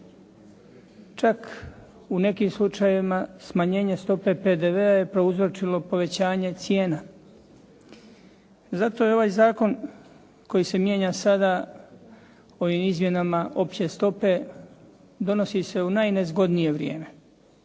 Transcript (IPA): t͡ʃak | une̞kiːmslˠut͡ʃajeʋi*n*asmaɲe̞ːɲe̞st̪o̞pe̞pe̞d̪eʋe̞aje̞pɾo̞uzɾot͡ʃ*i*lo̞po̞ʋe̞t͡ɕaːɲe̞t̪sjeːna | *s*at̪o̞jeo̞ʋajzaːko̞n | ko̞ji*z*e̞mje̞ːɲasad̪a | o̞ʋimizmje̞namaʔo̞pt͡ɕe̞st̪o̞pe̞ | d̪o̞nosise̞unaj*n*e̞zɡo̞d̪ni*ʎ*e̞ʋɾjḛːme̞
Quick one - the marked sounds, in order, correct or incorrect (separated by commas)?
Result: incorrect, correct, incorrect, incorrect, correct, incorrect